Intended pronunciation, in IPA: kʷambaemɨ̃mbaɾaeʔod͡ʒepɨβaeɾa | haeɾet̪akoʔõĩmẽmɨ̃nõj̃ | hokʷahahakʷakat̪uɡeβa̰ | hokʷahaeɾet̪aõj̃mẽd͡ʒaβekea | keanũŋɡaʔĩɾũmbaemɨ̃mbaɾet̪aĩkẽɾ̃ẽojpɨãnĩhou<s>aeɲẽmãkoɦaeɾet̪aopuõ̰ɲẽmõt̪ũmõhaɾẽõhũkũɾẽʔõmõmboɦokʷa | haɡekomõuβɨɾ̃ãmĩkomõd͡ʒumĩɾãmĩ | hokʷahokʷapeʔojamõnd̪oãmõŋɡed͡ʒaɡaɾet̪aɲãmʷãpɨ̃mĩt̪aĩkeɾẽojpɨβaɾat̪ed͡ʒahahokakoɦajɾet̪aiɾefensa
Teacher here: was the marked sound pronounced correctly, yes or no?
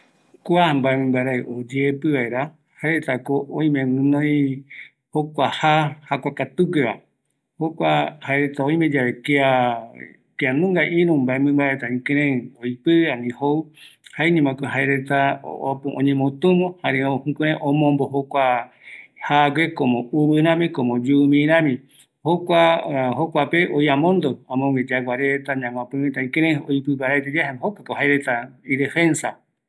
no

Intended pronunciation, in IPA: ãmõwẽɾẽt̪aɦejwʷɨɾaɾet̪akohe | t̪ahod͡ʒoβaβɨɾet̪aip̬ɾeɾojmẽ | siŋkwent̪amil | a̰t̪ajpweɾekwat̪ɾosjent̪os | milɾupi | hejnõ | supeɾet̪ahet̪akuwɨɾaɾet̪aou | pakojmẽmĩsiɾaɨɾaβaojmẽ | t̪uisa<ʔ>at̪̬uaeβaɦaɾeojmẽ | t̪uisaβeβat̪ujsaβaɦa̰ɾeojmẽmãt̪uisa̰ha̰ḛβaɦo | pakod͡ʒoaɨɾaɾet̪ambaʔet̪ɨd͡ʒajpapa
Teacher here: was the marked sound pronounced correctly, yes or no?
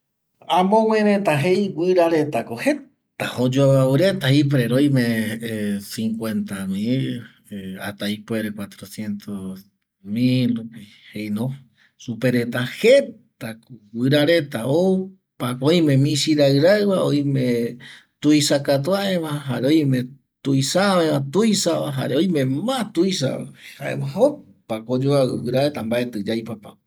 no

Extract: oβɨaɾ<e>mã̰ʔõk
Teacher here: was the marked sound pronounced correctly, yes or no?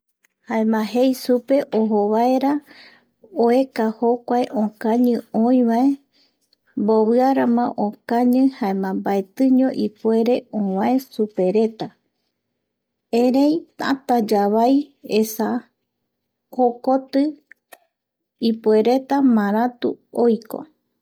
no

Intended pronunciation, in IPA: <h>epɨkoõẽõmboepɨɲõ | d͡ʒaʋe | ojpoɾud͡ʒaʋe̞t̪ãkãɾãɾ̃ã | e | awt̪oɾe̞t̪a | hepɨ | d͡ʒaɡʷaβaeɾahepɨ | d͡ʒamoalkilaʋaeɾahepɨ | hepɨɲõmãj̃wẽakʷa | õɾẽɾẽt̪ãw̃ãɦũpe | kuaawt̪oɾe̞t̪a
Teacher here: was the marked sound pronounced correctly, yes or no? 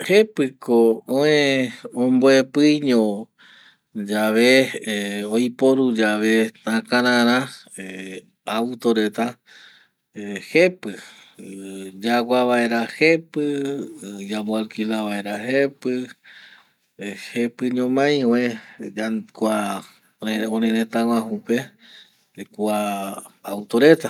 yes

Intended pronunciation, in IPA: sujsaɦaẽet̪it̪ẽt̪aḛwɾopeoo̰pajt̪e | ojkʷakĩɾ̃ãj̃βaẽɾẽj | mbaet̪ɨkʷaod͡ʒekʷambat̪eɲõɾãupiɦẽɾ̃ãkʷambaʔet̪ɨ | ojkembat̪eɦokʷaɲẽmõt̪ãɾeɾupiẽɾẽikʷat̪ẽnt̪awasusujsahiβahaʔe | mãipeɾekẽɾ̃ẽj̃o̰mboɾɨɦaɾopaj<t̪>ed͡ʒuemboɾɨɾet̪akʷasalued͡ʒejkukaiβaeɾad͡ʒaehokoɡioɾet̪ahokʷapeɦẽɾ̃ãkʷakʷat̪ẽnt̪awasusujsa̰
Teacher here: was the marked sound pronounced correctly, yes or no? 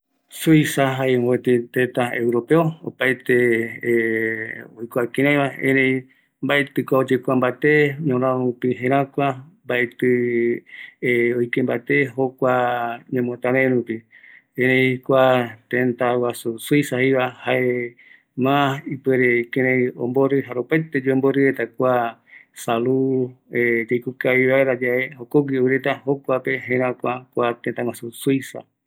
yes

